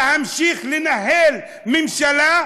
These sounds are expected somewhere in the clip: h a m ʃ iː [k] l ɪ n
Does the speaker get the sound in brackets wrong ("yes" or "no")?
yes